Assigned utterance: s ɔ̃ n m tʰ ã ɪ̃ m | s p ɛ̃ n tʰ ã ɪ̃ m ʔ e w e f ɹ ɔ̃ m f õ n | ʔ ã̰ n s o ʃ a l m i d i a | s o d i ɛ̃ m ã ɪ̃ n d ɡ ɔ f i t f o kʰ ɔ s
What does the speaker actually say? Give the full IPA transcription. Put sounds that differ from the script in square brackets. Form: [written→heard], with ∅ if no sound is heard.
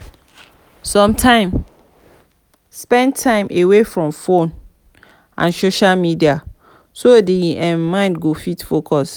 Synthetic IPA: s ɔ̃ [n→∅] m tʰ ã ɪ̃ m | s p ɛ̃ n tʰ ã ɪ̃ m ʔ e w e f ɹ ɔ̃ m f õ n | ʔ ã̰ n s o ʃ a l m i d i a | s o d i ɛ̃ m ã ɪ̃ n d ɡ [ɔ→o] f i t f o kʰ ɔ s

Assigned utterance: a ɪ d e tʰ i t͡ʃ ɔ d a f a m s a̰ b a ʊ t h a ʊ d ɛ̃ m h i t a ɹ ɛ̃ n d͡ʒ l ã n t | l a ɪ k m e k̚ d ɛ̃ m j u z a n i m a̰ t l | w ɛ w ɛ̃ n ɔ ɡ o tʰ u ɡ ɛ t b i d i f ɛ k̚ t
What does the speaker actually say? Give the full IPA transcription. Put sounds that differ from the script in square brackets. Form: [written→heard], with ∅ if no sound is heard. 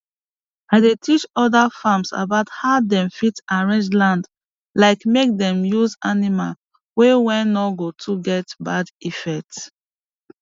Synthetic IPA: a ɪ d e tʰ i t͡ʃ ɔ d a f a m s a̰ b a ʊ t h a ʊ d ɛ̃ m [h→f] i t a ɹ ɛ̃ n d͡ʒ l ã n [t→d] | l a ɪ k m e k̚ d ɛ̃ m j u z a n i m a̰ [t→∅] l | w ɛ w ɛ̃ n ɔ ɡ o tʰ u ɡ ɛ t b [i→a] d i f ɛ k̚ t

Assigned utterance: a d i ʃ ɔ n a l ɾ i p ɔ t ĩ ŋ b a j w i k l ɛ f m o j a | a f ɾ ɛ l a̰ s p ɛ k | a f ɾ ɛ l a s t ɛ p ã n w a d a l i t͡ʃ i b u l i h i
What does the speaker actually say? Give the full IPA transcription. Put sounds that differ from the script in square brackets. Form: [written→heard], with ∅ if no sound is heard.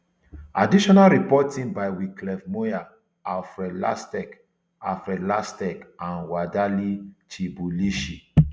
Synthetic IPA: a d i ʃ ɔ n a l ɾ i p ɔ t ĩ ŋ b a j w i k l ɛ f m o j a | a f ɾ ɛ l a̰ s [p→t] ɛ k | a f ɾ ɛ l a s t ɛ [p→k] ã n w a d a l i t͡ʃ i b u l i [h→ʃ] i

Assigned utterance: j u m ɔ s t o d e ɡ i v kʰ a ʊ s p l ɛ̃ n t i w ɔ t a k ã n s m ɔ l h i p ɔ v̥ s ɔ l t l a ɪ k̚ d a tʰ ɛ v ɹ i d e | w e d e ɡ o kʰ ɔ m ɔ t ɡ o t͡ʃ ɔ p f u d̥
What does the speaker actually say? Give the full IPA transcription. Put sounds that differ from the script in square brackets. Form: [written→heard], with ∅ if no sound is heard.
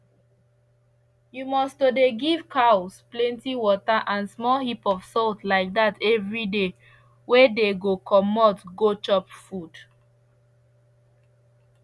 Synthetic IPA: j u m ɔ s t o d e ɡ i v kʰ a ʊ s p l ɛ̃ n t i w ɔ t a [k→ʔ] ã n s m ɔ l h i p ɔ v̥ s ɔ l t l a ɪ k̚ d a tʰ ɛ v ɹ i d e | w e d e ɡ o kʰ ɔ m ɔ t ɡ o t͡ʃ ɔ p f u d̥

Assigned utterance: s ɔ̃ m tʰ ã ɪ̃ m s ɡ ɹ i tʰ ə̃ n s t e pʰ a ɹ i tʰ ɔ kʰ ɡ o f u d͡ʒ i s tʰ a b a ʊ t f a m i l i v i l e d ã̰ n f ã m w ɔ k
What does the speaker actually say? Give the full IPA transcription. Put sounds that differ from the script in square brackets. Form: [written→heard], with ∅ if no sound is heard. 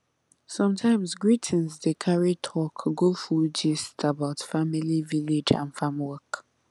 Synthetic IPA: s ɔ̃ m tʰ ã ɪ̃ m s ɡ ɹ i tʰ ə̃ n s [t→d] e [pʰ→kʰ] a ɹ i tʰ ɔ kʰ ɡ o f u d͡ʒ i s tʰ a b a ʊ t f a m i l i v i l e [d→d͡ʒ] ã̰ n f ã m w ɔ k

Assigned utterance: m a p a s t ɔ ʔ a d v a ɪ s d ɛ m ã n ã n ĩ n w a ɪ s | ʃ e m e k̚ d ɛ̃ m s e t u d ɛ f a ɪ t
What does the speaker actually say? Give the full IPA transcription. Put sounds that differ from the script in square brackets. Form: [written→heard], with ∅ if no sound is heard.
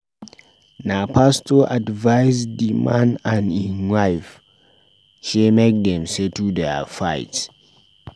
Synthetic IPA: [m→n] a p a s t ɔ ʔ a d v a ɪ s d [ɛ→i] m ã n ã n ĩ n w a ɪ [s→f] | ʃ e m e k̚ d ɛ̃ m s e t u d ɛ f a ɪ t

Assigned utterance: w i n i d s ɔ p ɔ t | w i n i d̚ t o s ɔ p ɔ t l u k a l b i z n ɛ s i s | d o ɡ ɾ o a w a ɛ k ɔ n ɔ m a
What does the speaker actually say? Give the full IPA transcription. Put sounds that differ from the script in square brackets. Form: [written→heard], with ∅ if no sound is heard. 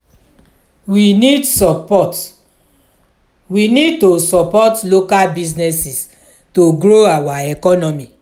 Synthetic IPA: w i n i d s ɔ p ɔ t | w i n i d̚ t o s ɔ p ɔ t l [u→o] k a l b i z n ɛ s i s | [d→t] o ɡ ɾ o a w a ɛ k ɔ n ɔ m [a→i]

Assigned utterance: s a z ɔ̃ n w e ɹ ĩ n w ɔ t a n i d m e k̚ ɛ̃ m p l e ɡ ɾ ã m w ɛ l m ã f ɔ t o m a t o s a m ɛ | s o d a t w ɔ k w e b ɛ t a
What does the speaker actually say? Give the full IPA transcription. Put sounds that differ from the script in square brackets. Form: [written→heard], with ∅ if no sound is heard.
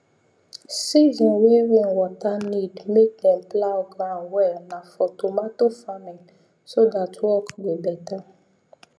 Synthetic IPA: s [a→i] z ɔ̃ n w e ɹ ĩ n w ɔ t a n i d m e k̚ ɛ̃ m p l [e→a] ɡ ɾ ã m w ɛ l [m→n] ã f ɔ t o m a t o [s→f] a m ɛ | s o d a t w ɔ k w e b ɛ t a

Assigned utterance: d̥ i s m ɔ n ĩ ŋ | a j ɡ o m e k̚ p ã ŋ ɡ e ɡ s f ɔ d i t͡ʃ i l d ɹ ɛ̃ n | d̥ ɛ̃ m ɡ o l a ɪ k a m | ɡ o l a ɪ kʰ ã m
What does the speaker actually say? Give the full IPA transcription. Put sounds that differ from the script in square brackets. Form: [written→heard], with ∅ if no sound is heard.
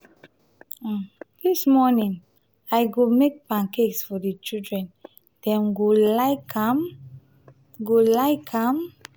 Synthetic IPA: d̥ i s m ɔ n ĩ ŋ | a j ɡ o m e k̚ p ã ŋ [ɡ→k] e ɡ s f ɔ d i t͡ʃ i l d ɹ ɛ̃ n | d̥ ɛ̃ m ɡ o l a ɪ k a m | ɡ o l a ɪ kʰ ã m

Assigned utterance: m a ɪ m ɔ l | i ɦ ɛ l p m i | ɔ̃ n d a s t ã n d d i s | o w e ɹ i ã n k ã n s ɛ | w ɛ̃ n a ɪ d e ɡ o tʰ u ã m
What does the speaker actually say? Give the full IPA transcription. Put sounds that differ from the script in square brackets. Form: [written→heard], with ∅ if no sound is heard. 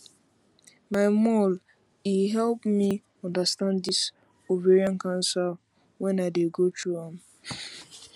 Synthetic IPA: m a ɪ m ɔ l | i ɦ ɛ l p m i | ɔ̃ n d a s t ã n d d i s | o [w→v] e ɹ i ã n k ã n s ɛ | w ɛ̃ n a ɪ d e ɡ o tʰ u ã m

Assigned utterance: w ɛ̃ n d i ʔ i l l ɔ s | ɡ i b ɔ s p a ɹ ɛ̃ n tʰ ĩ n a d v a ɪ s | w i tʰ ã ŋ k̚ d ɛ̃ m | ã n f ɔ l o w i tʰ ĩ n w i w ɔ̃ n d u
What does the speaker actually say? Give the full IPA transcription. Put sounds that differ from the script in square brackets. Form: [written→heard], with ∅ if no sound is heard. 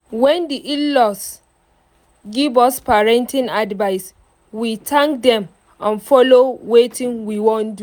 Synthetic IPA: w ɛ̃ n d i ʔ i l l ɔ s | ɡ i [b→v] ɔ s p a ɹ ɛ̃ n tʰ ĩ n a d v a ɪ s | w i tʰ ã ŋ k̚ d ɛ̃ m | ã n f ɔ l o w [i→e] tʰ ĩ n w i w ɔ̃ n d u

